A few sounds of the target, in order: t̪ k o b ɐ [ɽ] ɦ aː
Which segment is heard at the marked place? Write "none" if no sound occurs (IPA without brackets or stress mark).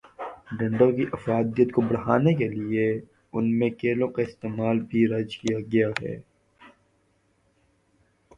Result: ɽ